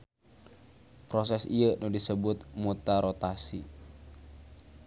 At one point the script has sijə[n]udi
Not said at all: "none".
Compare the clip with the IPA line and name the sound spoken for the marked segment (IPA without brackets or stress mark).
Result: n